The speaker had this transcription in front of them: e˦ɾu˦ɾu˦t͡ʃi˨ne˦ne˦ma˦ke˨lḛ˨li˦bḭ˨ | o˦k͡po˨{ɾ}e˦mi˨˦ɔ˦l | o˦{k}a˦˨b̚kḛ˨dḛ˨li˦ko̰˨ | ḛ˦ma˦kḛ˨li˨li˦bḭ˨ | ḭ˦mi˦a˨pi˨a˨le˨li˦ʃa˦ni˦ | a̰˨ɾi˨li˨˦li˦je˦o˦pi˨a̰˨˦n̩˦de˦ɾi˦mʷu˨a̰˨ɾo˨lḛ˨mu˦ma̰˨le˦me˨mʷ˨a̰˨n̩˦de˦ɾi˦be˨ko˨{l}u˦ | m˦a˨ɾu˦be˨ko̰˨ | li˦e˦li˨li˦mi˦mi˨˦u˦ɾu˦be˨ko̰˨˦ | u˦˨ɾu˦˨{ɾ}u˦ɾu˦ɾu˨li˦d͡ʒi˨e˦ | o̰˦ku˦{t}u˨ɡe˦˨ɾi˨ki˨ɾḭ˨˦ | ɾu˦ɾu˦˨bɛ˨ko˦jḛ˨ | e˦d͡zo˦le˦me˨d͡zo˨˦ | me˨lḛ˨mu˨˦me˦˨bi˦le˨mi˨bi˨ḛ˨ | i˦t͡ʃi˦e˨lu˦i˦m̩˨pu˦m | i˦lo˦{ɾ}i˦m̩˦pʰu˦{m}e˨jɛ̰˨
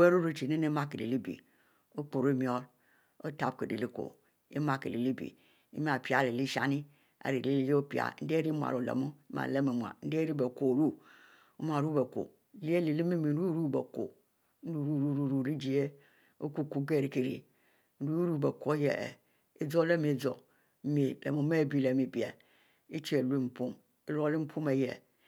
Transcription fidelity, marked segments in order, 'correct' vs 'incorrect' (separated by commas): correct, incorrect, incorrect, correct, incorrect, incorrect, correct